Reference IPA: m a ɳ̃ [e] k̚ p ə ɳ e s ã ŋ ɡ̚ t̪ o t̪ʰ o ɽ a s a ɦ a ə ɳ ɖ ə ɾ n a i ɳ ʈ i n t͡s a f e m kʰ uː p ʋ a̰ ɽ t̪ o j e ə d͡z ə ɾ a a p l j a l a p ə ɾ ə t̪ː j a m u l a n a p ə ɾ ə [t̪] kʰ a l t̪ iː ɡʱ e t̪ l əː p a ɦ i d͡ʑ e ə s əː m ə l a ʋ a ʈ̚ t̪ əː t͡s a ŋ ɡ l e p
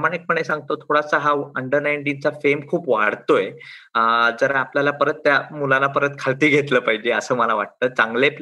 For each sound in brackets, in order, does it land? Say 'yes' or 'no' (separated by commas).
yes, yes